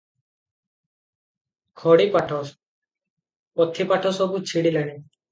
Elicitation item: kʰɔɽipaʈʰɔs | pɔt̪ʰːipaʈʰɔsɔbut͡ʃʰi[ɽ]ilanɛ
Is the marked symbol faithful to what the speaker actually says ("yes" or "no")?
yes